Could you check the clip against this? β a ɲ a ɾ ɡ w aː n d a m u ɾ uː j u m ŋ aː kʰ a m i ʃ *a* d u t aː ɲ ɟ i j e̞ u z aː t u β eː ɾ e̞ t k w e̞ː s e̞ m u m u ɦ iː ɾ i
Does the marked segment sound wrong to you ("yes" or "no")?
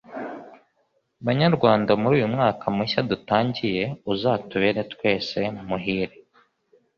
no